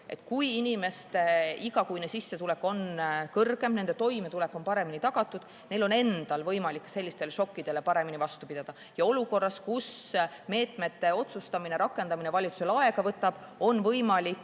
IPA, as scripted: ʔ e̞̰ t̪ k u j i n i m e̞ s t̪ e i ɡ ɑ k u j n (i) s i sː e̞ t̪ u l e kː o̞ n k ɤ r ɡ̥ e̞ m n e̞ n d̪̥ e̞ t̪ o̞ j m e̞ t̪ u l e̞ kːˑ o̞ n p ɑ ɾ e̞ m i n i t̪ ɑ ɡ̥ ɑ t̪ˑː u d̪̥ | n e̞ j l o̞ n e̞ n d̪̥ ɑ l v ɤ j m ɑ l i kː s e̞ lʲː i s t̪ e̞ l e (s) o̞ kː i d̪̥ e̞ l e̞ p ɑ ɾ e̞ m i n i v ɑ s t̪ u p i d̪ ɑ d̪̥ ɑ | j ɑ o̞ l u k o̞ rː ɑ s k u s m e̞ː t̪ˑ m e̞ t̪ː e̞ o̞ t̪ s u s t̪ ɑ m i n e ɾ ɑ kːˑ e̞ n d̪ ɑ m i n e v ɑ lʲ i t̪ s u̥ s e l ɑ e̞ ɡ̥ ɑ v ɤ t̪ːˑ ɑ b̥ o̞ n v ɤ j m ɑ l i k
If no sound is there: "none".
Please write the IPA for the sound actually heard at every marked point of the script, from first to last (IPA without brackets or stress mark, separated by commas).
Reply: e, ʃ